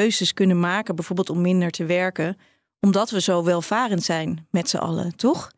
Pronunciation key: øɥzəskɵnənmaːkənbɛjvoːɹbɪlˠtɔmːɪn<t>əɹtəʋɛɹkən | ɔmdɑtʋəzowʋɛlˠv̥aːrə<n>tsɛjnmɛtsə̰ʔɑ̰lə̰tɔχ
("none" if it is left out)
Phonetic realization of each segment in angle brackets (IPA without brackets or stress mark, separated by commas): d, n